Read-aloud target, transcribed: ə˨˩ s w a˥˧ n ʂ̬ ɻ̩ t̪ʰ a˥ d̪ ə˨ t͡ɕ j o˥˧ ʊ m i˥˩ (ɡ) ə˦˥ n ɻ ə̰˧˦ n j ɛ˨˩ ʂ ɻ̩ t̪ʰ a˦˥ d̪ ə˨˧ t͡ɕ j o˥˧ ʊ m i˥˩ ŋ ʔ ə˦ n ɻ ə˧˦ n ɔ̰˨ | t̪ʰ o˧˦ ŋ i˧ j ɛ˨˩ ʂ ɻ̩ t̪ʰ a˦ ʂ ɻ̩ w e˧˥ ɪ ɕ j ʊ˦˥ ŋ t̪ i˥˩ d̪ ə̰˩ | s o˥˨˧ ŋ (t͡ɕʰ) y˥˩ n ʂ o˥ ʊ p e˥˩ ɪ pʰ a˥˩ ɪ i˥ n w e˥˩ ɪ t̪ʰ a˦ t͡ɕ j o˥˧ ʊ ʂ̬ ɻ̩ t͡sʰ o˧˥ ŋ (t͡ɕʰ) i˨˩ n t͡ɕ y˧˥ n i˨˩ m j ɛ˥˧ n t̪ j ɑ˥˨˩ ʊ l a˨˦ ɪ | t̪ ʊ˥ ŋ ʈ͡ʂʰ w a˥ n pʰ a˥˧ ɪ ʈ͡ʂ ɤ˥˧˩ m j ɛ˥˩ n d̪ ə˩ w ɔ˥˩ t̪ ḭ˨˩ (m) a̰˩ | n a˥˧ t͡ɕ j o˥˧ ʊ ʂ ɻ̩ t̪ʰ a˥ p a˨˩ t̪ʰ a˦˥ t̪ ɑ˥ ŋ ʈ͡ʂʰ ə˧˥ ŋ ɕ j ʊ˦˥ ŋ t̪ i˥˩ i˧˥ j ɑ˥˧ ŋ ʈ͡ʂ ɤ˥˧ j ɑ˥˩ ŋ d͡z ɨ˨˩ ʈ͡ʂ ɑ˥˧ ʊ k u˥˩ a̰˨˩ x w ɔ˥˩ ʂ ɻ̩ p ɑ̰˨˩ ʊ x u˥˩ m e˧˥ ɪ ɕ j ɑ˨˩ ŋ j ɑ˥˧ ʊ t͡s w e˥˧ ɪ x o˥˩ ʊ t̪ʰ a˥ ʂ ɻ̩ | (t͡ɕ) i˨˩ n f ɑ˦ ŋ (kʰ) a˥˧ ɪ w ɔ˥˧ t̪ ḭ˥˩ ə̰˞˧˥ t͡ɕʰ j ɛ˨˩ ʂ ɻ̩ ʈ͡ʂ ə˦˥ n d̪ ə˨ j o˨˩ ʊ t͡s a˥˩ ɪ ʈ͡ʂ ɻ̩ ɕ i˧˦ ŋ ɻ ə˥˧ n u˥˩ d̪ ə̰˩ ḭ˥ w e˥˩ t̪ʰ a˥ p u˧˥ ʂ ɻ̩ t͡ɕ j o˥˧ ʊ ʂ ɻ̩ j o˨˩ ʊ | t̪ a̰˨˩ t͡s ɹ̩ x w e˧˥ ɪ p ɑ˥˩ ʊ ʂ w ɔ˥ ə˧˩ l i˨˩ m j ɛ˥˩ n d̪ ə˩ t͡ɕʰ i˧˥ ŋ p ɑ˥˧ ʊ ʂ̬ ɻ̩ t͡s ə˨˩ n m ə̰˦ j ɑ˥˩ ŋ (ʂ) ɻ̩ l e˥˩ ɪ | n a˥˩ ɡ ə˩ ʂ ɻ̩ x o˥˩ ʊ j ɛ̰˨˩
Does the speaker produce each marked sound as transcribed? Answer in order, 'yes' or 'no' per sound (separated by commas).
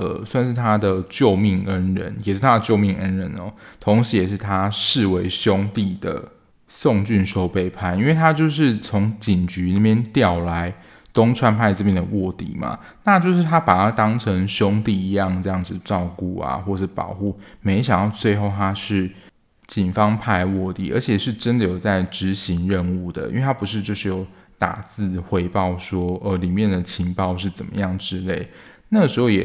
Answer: no, no, no, yes, yes, no, no